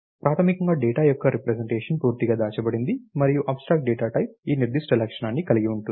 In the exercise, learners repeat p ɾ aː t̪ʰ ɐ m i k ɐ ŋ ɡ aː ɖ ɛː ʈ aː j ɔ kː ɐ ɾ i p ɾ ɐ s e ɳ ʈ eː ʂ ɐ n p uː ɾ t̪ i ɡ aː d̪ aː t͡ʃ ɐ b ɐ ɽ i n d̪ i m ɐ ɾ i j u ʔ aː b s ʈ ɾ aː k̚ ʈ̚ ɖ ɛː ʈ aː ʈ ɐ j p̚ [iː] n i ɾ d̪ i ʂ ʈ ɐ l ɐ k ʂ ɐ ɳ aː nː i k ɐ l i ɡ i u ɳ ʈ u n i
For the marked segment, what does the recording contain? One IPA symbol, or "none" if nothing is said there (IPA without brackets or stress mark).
iː